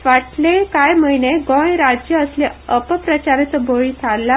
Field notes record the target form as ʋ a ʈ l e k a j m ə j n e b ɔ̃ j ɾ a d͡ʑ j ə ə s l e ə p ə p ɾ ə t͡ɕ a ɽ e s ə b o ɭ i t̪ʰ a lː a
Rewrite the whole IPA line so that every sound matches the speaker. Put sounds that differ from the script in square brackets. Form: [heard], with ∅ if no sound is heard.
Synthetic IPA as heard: ʋ a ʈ l e k a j m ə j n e [ɡ] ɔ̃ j ɾ a d͡ʑ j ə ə s l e ə p ə p ɾ ə t͡ɕ a [ɾ] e [t͡s] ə b o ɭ i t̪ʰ a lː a

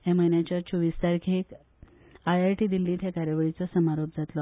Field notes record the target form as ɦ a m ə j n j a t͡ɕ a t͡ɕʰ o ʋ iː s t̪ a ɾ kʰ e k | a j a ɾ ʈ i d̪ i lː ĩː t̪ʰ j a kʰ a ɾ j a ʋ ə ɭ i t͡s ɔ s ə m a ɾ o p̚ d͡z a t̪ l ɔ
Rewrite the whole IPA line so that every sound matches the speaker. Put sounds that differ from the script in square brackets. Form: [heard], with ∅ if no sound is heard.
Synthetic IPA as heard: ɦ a m ə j n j a t͡ɕ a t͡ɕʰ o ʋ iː s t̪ a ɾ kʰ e k | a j a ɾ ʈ i d̪ i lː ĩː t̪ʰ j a [k] a ɾ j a ʋ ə ɭ i t͡s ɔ s ə m a ɾ o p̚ d͡z a t̪ l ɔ

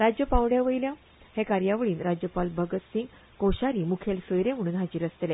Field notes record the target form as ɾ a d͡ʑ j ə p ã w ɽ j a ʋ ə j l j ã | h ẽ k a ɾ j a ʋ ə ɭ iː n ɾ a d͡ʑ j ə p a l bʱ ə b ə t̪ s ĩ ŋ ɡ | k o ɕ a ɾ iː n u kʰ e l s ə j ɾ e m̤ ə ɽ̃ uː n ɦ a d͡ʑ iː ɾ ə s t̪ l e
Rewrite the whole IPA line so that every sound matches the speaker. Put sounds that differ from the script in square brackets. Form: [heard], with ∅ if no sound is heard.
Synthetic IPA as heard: ɾ a d͡ʑ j ə p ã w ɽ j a ʋ ə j l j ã | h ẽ k a ɾ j a ʋ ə ɭ iː n ɾ a d͡ʑ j ə p a l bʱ ə [ɡ] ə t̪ s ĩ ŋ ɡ | k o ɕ a ɾ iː [m] u kʰ e l s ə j ɾ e m̤ ə ɽ̃ uː n ɦ a d͡ʑ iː ɾ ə s t̪ l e

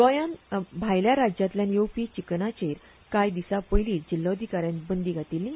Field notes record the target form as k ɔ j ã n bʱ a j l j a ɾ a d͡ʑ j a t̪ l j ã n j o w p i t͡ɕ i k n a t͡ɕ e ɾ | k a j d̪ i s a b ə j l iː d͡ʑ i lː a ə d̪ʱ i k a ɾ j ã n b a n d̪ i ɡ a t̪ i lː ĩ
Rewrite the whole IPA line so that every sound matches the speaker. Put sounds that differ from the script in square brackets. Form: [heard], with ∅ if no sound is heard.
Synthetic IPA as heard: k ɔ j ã n bʱ a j l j a ɾ a d͡ʑ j a t̪ l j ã n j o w p i t͡ɕ i k n a t͡ɕ e ɾ | k a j d̪ i s a [p] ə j l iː d͡ʑ i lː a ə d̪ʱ i k a ɾ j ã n b [ə] n d̪ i ɡ a t̪ i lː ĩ

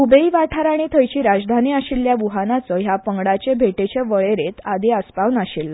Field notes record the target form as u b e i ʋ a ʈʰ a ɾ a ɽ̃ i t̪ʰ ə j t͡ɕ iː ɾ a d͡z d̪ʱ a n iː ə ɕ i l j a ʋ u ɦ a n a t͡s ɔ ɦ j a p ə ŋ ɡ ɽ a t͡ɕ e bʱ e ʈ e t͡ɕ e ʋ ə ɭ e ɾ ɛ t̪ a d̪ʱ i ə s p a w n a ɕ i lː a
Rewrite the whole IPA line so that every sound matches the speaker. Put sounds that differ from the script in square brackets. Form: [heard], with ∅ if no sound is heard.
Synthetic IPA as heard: u b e i ʋ a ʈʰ a ɾ a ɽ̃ i t̪ʰ ə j t͡ɕ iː ɾ a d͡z d̪ʱ a n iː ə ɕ i l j a ʋ u ɦ a n a t͡s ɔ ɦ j a p ə ŋ ɡ ɽ a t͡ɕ e bʱ e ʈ e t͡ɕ e ʋ ə ɭ e ɾ [e] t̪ a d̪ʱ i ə s p a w n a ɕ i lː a

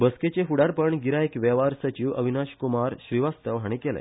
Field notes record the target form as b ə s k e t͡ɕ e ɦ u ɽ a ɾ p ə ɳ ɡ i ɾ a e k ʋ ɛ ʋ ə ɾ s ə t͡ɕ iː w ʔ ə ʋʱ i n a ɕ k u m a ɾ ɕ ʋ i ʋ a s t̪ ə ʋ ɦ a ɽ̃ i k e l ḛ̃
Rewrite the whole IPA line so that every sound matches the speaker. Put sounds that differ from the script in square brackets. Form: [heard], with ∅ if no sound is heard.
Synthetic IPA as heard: b ə s k e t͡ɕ e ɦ u ɽ a ɾ p ə ɳ ɡ i ɾ a e k ʋ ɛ ʋ [a] ɾ s ə t͡ɕ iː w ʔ ə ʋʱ i n a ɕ k u m a ɾ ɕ ʋ i ʋ a s t̪ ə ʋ ɦ a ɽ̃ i k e l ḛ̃

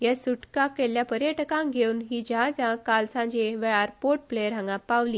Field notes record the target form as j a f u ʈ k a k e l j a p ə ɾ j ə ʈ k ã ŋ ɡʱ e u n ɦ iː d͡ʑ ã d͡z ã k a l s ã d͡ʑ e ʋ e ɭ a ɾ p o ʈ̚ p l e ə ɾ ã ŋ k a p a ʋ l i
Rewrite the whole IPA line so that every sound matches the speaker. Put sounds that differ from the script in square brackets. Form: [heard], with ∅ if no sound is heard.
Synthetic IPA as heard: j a [s] u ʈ k a k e l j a p ə ɾ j ə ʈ k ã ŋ ɡʱ e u n ɦ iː d͡ʑ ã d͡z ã k a l s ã d͡ʑ e ʋ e ɭ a ɾ p o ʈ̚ p l e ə ɾ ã ŋ [ɡ] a p a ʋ l i

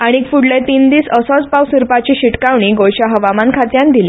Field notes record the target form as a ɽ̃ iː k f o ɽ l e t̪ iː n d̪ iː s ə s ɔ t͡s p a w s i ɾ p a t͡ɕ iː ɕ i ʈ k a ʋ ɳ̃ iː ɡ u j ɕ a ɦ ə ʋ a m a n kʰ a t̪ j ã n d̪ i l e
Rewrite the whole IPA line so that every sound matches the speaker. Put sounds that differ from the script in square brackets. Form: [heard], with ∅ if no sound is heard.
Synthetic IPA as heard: a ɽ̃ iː k f [u] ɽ l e t̪ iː n d̪ iː s ə s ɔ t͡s p a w s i ɾ p a t͡ɕ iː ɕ i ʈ k a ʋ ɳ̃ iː ɡ [o] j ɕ a ɦ ə ʋ a m a n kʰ a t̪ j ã n d̪ i l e

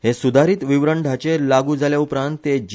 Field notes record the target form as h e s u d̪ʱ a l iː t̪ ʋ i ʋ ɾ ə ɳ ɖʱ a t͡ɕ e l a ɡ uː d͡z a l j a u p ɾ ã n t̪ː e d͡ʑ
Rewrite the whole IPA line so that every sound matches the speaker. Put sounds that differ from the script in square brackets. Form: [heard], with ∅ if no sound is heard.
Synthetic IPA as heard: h e s u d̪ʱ a [ɾ] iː t̪ ʋ i ʋ ɾ ə ɳ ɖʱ a t͡ɕ e l a ɡ uː d͡z a l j a u p ɾ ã n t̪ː e d͡ʑ

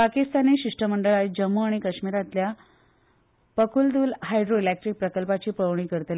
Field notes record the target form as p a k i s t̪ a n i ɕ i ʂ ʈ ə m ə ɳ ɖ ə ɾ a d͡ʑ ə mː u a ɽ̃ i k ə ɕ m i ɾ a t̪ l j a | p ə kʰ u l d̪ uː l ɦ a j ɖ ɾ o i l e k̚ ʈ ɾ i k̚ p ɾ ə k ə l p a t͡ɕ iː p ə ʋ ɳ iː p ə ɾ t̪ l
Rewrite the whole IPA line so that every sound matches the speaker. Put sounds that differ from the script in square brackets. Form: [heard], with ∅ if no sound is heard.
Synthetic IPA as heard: p a k i s t̪ a n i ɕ i ʂ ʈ ə m ə ɳ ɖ ə [ɭ] a d͡ʑ ə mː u a ɽ̃ i k ə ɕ m i ɾ a t̪ l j a | p ə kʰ u l d̪ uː l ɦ a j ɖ ɾ o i l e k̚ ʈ ɾ i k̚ p ɾ ə k ə l p a t͡ɕ iː p ə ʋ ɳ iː [k] ə ɾ t̪ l

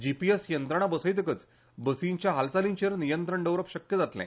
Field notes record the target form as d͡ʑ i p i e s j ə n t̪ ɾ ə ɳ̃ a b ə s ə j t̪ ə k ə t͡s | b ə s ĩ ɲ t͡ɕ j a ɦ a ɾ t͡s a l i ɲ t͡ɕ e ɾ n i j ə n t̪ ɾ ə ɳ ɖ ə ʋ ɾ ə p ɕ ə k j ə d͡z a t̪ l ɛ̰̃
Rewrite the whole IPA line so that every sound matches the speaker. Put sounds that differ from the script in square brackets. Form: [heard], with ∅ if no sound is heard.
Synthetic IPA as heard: d͡ʑ i p i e s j ə n t̪ ɾ ə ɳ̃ a b ə s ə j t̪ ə k ə t͡s | b ə s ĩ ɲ t͡ɕ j a ɦ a [l] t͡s a l i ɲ t͡ɕ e ɾ n i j ə n t̪ ɾ ə ɳ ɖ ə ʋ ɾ ə p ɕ ə k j ə d͡z a t̪ l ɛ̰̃

